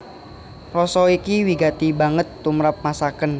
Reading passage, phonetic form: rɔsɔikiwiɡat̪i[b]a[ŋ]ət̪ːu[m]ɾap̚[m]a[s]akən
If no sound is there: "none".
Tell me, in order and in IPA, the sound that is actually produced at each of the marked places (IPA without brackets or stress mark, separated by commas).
b, ŋ, m, m, s